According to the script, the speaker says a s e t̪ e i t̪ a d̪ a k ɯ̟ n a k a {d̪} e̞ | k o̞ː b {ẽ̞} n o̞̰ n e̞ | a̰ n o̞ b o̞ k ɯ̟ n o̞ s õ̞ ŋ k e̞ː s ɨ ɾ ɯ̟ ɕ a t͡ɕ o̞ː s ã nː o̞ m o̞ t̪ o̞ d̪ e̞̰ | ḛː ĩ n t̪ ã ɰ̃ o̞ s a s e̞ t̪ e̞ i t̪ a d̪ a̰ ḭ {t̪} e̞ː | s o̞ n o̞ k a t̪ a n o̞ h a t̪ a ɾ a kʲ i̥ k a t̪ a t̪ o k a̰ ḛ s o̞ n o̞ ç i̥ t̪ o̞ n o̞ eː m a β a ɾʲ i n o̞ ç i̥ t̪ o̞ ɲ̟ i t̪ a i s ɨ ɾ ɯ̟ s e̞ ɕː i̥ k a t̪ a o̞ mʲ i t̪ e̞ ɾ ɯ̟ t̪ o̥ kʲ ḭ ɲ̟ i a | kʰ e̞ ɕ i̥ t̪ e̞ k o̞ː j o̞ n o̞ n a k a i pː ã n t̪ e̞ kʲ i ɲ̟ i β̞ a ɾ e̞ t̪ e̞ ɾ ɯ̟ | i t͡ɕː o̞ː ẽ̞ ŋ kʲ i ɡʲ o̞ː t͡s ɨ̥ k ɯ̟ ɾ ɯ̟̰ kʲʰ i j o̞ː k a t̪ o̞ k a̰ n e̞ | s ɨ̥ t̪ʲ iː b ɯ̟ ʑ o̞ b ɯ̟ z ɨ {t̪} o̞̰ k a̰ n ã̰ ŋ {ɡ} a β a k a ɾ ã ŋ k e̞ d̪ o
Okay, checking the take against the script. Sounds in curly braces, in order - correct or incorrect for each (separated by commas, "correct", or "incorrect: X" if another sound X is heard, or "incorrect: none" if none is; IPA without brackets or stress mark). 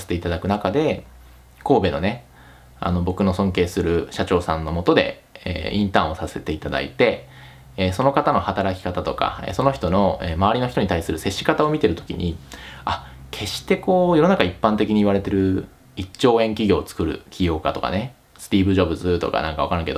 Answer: correct, incorrect: e̞, correct, correct, incorrect: k